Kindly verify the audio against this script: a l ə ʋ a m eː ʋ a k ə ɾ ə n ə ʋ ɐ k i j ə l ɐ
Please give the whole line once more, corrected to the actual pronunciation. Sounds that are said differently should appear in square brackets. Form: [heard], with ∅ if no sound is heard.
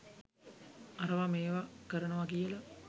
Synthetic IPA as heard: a [ɾ] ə ʋ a m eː ʋ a k ə ɾ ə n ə ʋ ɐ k i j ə l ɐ